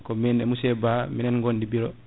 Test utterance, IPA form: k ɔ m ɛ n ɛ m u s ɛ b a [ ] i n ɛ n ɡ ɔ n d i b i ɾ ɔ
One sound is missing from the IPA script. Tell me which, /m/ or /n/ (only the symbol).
m